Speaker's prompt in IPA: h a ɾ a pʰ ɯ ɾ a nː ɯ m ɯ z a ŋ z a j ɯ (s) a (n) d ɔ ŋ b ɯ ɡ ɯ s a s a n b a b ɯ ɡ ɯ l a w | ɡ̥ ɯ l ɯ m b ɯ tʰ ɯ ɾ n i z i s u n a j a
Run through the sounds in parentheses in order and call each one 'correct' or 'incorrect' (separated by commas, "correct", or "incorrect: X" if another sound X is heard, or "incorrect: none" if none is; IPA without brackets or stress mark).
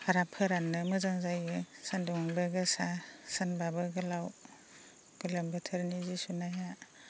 correct, correct